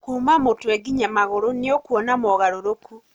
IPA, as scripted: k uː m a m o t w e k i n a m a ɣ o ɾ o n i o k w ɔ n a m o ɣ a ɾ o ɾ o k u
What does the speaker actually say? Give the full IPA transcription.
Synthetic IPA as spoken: k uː m a m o t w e ɡ i ɲ a m a ɣ o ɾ o n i o k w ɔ n a m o ɣ a ɾ o ɾ o k u